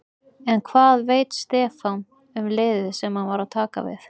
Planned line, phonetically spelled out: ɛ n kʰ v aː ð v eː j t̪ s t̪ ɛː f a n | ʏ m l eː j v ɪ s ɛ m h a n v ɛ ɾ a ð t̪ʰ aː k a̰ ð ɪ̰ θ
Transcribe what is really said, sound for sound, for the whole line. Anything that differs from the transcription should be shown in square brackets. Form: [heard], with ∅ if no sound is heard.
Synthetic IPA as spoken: ɛ n kʰ v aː ð v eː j t̪ s t̪ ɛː f a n | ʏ m l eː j [ð] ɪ s ɛ m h a n v [a] ɾ a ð t̪ʰ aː k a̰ [v] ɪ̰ θ